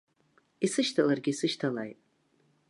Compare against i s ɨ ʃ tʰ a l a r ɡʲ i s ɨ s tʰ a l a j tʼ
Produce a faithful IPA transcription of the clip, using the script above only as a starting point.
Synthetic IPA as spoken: i s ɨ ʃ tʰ a l a r ɡʲ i s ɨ ʃ tʰ a l a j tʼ